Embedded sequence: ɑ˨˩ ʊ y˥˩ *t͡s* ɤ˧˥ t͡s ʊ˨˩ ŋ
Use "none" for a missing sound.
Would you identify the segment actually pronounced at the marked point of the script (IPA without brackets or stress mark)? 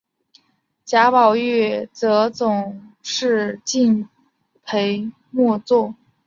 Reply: t͡s